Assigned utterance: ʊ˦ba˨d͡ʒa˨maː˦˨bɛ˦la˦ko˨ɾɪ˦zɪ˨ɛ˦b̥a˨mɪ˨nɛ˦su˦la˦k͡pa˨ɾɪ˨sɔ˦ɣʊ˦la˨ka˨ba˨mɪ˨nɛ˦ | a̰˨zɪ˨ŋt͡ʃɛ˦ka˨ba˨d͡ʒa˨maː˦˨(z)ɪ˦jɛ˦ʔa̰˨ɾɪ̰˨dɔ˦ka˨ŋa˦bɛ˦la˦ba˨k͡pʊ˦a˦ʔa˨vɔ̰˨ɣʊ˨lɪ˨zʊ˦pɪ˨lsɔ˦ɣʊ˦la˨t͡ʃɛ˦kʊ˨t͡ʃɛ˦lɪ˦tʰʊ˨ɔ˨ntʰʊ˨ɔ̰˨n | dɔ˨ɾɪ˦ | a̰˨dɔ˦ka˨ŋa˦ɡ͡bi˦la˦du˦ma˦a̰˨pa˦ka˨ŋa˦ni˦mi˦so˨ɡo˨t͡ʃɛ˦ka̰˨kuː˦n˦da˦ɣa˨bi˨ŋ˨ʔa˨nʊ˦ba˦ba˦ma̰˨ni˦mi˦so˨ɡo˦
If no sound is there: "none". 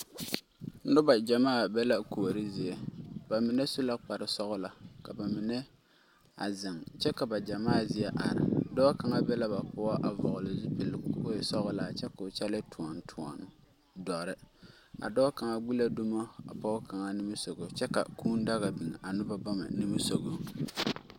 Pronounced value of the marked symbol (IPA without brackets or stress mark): z